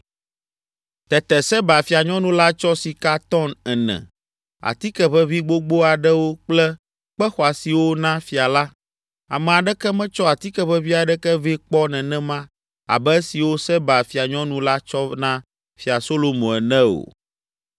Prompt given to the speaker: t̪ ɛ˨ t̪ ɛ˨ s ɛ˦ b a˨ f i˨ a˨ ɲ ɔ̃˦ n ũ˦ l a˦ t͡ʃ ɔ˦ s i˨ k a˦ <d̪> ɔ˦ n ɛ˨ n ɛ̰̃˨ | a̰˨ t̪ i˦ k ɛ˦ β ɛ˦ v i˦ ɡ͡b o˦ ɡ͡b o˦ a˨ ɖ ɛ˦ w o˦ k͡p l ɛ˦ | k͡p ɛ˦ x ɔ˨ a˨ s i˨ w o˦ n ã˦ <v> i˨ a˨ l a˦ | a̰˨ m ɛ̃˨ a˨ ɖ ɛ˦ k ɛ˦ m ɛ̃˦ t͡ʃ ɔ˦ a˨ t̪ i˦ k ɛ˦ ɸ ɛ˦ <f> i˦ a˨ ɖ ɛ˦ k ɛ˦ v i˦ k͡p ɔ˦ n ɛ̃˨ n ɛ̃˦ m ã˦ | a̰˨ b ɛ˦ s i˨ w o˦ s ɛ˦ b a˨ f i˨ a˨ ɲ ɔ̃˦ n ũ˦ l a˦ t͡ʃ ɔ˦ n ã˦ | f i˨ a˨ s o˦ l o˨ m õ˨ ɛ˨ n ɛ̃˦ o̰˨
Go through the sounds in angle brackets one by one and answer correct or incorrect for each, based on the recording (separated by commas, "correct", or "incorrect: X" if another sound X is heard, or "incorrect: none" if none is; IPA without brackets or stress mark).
incorrect: t̪, incorrect: f, incorrect: v